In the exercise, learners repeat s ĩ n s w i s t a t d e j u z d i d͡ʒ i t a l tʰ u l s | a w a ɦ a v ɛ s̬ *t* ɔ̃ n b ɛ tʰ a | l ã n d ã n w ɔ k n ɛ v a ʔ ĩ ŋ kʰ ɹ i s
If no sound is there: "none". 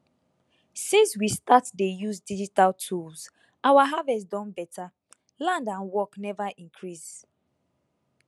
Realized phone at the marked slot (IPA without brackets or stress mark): d